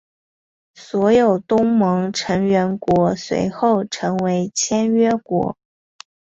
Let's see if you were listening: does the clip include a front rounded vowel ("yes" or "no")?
no